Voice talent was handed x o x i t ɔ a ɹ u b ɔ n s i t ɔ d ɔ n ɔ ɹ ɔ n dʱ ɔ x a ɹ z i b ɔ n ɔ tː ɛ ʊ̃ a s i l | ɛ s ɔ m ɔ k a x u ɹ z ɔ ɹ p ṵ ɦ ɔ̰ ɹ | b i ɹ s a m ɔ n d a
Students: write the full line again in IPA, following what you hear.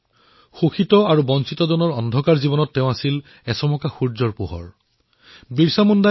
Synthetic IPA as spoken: x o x i t ɔ a ɹ u b ɔ n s i t ɔ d ɔ n ɔ ɹ ɔ n dʱ ɔ k a ɹ z i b ɔ n ɔ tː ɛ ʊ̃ a s i l | ɛ s ɔ m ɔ k a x u ɹ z ɔ ɹ p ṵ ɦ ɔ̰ ɹ | b i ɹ s a m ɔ n d a